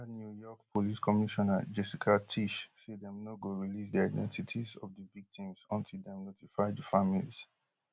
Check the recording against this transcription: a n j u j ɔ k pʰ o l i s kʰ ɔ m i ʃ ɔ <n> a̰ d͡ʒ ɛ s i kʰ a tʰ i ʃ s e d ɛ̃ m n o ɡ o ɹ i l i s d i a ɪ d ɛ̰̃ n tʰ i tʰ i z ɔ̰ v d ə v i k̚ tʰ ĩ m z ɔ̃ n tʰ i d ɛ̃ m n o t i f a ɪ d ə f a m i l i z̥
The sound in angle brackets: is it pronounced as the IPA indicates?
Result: yes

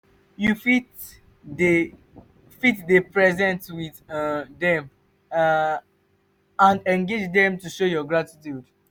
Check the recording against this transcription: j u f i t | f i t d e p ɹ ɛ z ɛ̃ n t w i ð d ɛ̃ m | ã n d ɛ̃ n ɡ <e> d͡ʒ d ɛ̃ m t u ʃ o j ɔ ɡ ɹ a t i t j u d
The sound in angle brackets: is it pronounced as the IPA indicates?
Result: yes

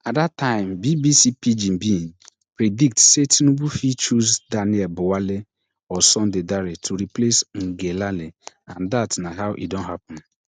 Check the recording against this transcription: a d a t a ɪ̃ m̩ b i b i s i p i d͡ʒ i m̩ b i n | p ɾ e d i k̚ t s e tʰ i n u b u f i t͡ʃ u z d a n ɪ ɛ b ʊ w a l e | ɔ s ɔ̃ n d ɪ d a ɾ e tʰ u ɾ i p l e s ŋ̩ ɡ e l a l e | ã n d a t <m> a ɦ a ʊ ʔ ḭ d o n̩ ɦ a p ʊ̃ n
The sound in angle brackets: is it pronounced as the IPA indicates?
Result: no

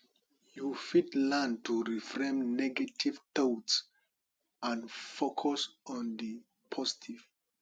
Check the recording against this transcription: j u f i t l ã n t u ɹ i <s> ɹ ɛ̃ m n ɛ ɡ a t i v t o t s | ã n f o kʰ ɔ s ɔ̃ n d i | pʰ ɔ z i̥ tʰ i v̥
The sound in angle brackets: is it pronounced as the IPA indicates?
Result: no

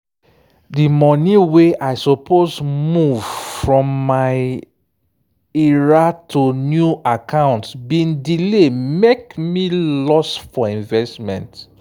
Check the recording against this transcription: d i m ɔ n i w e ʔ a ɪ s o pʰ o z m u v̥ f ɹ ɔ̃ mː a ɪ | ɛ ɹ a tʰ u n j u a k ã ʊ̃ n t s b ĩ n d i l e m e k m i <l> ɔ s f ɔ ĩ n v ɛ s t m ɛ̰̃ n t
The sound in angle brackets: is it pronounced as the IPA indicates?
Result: yes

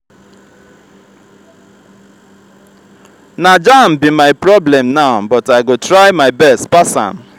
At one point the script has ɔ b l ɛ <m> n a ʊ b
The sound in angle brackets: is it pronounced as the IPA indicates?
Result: yes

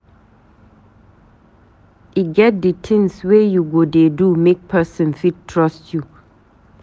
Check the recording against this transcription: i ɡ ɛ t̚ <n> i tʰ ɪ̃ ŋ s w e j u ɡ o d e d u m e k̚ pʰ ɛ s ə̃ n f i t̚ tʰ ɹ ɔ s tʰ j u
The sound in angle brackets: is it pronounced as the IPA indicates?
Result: no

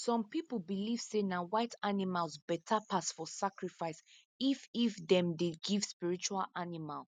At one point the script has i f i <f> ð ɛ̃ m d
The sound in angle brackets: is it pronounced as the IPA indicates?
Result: yes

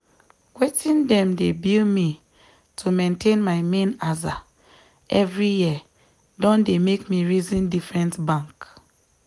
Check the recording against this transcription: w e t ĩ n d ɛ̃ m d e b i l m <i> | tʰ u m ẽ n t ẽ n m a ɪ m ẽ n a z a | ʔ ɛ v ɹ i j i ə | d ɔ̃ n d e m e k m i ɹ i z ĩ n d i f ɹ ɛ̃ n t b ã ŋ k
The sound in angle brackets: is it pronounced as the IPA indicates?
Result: yes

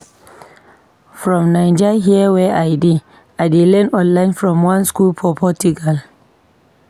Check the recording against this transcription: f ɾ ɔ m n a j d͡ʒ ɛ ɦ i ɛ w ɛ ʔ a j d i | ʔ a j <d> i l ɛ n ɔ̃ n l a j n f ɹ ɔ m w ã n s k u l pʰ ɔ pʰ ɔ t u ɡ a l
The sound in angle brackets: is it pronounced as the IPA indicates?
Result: yes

